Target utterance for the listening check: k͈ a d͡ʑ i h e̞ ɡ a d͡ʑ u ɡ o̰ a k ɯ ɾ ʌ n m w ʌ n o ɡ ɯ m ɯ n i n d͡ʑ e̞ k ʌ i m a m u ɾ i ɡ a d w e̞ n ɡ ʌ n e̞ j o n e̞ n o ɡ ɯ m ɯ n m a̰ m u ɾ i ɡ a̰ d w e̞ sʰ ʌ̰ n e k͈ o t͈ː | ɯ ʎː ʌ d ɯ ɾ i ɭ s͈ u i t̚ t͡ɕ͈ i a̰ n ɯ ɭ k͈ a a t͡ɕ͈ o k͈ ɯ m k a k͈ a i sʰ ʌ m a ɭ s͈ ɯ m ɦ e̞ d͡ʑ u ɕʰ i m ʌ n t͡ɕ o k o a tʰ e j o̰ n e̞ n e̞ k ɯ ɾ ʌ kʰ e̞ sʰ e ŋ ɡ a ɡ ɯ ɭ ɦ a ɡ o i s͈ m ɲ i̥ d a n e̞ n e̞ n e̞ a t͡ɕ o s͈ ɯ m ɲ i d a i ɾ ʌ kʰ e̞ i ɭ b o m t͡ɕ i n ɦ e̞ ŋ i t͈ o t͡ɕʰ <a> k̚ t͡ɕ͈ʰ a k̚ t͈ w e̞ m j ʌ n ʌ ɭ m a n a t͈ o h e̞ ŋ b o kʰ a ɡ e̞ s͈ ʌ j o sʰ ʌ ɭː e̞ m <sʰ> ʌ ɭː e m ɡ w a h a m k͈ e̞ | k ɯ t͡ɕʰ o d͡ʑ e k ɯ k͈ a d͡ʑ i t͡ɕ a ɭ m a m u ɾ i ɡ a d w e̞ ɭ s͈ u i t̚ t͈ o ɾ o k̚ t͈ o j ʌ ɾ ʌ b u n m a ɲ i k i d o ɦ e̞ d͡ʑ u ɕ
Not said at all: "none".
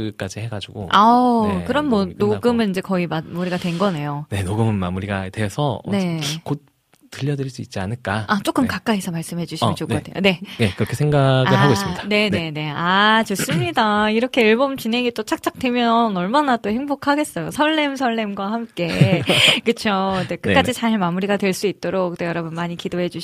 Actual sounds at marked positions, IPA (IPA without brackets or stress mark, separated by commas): a, sʰ